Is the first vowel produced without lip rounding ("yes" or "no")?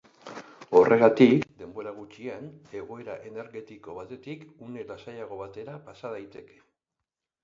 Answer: no